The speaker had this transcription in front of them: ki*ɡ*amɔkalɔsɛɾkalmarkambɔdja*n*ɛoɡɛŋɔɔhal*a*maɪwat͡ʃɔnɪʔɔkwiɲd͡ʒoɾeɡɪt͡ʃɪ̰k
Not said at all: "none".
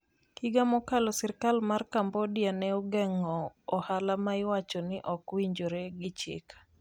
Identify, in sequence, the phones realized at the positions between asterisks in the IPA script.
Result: ɡ, n, a

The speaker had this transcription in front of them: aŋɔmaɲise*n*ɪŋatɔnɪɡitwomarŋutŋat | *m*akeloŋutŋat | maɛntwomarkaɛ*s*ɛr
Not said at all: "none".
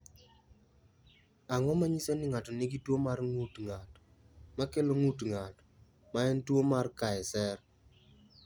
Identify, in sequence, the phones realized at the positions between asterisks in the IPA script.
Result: n, m, s

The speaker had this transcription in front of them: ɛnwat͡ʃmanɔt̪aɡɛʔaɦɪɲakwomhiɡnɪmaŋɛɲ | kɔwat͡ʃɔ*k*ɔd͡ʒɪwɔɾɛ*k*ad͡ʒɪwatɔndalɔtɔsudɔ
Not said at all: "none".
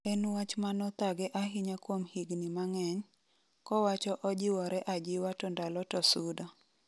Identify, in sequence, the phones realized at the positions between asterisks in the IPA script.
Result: ʔ, ʔ

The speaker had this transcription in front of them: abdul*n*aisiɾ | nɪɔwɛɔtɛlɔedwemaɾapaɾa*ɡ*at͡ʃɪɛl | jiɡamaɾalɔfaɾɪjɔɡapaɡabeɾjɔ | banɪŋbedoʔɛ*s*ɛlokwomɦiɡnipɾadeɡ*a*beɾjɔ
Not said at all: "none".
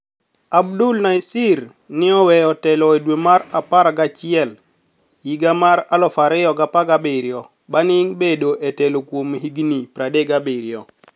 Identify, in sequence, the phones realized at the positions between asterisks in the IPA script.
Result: n, ɡ, t, a

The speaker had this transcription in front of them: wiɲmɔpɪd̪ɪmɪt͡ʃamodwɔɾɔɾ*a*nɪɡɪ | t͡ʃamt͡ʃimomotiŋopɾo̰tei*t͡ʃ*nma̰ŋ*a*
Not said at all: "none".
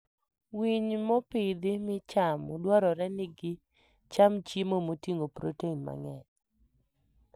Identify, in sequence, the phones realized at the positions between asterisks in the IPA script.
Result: ɛ, none, ɛ

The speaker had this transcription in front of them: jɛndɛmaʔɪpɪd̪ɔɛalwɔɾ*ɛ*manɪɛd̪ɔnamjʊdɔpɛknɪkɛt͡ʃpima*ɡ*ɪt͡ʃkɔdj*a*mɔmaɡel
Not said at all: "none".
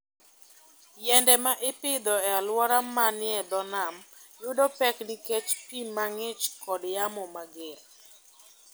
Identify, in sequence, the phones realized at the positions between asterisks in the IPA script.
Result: a, ŋ, a

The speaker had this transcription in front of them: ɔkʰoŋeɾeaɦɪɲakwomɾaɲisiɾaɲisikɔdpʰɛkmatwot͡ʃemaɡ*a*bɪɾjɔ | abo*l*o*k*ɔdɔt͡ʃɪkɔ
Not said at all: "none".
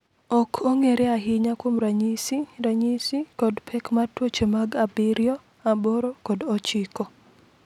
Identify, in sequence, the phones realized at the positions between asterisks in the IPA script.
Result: a, ɾ, k

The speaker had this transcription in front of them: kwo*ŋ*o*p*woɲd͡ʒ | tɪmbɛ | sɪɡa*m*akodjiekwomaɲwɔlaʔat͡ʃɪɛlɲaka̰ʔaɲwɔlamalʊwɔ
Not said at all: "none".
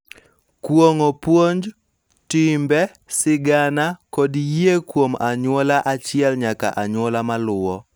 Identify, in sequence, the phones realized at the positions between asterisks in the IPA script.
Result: ŋ, p, n

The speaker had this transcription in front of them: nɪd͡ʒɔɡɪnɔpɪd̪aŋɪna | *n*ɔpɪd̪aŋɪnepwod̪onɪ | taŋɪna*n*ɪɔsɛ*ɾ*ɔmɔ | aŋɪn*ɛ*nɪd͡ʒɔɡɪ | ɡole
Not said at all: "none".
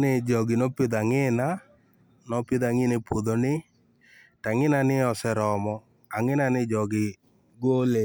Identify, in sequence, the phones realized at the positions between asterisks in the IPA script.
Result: n, n, ɾ, a

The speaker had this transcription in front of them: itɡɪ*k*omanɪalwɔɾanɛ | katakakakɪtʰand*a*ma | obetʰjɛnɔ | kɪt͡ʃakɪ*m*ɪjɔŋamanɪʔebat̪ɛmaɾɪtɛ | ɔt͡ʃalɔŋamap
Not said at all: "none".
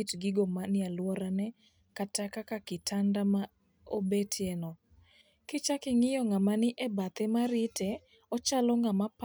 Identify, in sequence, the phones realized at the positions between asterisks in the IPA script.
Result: ɡ, a, ŋ

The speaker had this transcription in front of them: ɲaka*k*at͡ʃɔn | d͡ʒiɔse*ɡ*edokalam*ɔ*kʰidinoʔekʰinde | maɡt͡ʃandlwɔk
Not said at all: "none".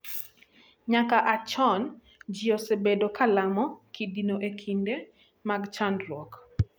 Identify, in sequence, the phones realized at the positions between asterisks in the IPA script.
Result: ʔ, b, ɔ

